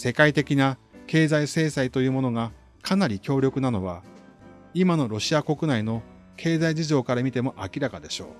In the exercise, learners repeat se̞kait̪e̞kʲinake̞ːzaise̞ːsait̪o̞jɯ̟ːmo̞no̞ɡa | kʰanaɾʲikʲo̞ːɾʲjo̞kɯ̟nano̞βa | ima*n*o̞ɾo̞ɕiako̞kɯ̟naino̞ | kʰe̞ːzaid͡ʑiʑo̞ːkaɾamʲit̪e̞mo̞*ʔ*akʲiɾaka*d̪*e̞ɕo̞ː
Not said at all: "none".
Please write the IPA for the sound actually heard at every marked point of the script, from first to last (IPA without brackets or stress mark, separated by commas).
n, ʔ, d̪